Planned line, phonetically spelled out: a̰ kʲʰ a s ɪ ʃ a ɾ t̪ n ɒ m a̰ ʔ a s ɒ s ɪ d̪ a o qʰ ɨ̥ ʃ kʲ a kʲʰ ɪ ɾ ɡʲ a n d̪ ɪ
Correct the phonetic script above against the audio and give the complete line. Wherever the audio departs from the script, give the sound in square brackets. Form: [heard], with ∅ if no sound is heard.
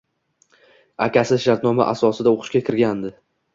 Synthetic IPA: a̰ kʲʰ a s ɪ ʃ a ɾ t̪ n ɒ m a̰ ʔ a s ɒ s ɪ d̪ a o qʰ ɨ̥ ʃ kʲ a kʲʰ ɪ ɾ ɡʲ a n d̪ ɪ